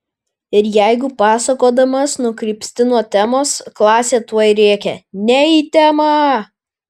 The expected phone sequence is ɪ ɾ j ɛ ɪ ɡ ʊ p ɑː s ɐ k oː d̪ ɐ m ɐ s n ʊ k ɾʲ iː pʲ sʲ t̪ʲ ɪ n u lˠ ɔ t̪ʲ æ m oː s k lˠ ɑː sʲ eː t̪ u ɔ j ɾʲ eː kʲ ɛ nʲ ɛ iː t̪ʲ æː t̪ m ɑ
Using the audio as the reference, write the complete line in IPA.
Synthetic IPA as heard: ɪ ɾ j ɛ ɪ ɡ ʊ p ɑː s ɐ k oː d̪ ɐ m ɐ s n ʊ k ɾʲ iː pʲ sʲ t̪ʲ ɪ n u ɔ t̪ʲ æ m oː s k lˠ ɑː sʲ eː t̪ u ɔ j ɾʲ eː kʲ ɛ nʲ ɛ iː t̪ʲ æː m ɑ